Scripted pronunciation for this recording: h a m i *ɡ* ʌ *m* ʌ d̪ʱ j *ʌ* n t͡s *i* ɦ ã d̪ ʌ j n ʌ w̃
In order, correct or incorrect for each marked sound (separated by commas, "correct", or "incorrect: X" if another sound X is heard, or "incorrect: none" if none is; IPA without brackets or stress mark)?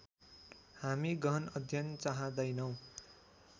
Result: correct, incorrect: n, correct, incorrect: a